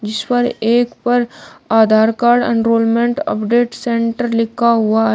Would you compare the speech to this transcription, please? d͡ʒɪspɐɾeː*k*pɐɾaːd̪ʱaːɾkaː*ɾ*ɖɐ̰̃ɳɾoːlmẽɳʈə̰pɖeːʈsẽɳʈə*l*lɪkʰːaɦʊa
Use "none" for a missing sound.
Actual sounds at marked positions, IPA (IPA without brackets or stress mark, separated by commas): k, ɾ, ɾ